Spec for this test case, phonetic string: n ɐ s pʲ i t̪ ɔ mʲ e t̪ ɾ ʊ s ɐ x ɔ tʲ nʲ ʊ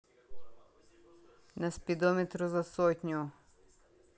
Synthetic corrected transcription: n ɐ s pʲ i d̪ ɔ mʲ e t̪ ɾ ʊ z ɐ s ɔ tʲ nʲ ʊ